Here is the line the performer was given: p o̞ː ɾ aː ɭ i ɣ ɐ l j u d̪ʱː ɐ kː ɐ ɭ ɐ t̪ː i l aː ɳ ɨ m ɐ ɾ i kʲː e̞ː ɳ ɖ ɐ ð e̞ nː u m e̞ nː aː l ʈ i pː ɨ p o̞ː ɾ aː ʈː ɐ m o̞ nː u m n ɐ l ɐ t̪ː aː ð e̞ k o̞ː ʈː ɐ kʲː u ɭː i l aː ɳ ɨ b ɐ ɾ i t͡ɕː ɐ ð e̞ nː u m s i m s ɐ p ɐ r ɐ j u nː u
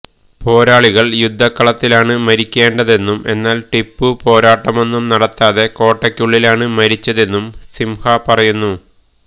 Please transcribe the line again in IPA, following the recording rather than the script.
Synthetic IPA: p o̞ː ɾ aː ɭ i ɣ ɐ ɭ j u d̪ʱː ɐ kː ɐ ɭ ɐ t̪ː i l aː ɳ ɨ m ɐ ɾ i kʲː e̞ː ɳ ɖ ɐ ð e̞ nː u m e̞ nː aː l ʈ i pː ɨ p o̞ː ɾ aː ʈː ɐ m o̞ nː u m n ɐ ɽ ɐ t̪ː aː ð e̞ k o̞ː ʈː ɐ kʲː u ɭː i l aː ɳ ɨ m ɐ ɾ i t͡ɕː ɐ ð e̞ nː u m s i m h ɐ p ɐ r ɐ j u nː u